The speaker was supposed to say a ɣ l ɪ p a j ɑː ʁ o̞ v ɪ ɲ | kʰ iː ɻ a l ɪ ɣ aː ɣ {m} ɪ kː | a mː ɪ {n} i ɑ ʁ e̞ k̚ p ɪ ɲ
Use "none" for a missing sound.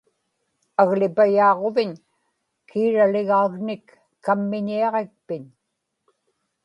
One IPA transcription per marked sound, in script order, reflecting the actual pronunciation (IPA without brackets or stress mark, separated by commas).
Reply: n, ɲ